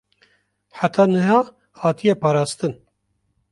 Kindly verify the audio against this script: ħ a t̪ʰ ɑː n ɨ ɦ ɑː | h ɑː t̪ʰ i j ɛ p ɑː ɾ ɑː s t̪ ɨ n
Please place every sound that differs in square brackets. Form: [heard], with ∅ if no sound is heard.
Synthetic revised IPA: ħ a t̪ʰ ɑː n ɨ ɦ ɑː | h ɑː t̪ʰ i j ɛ p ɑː ɾ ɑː s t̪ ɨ n